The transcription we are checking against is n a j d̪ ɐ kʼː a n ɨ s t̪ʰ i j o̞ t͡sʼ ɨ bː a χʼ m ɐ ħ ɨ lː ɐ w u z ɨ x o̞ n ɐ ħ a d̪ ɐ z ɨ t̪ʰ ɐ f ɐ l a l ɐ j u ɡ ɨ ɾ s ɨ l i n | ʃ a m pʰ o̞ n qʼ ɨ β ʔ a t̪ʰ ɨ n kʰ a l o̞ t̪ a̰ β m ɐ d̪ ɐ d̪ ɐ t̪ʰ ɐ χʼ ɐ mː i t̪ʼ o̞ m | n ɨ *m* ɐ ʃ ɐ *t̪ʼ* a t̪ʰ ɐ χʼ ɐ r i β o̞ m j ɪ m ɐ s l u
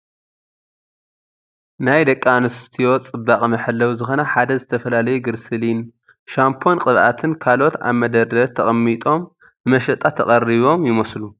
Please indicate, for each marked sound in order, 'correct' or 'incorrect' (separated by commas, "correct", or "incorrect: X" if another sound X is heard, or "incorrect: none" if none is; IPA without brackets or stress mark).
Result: correct, correct